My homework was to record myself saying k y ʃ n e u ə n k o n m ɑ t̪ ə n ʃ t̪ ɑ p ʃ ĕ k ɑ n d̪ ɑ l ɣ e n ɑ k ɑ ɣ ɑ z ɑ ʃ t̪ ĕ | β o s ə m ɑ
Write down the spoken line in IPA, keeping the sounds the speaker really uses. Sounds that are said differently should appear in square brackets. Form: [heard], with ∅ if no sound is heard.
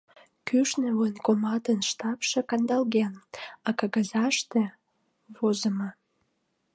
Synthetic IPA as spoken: k y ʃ n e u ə n k o [∅] m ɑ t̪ ə n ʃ t̪ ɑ p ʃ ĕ k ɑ n d̪ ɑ l ɣ e n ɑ k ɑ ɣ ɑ z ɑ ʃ t̪ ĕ | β o [z] ə m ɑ